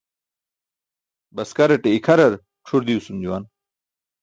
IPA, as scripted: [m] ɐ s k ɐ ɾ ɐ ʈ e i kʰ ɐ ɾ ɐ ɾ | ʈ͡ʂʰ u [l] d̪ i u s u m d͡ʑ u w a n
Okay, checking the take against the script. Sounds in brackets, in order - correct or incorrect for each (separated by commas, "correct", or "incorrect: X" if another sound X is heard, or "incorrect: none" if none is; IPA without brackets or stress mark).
incorrect: b, incorrect: ɾ